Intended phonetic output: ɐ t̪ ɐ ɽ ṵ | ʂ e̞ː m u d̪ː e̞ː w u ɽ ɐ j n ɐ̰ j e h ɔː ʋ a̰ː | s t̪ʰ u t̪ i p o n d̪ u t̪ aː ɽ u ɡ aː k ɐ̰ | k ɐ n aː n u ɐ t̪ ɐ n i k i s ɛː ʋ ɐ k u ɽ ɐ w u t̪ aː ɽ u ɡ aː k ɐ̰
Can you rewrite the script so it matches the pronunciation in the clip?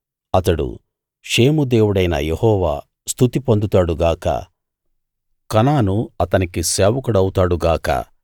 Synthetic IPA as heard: ɐ t̪ ɐ ɽ ṵ | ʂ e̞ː m u d̪ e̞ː w u ɽ ɐ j n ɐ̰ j e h ɔː ʋ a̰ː | s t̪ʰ u t̪ i p o n d̪ u t̪ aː ɽ u ɡ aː k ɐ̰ | k ɐ n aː n u ɐ t̪ ɐ n i k i s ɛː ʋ ɐ k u ɽ ɐ w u t̪ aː ɽ u ɡ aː k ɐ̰